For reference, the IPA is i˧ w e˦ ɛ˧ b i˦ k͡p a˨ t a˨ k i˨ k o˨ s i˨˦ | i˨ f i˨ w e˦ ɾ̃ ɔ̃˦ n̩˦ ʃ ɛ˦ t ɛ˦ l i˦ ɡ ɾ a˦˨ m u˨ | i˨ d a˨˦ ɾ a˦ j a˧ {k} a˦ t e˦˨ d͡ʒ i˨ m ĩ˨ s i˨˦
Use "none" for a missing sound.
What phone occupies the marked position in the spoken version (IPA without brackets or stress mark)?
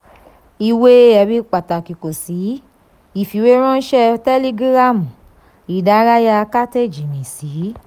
k